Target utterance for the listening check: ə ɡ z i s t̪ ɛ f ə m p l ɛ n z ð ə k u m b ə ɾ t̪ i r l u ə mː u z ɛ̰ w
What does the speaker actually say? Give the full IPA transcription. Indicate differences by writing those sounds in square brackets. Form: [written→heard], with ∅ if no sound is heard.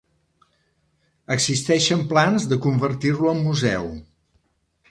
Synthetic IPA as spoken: ə ɡ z i s t̪ ɛ [f→ʃ] ə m p l [ɛ→a] n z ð ə k u m b ə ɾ t̪ i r l u ə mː u z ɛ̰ w